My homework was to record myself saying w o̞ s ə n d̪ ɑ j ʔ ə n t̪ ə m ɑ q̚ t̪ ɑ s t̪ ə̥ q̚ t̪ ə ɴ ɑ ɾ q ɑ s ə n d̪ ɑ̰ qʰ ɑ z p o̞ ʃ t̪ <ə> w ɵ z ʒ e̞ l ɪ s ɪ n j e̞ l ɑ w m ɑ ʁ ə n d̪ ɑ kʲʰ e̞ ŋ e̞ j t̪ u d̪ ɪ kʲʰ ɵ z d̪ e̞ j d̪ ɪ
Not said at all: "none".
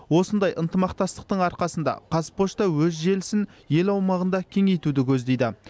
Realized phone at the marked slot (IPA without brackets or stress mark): ɑ